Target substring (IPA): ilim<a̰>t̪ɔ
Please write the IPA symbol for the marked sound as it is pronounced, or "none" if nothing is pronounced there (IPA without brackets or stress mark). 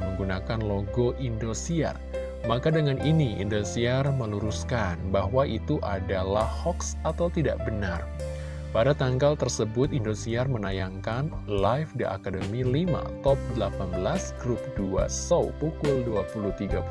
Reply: a̰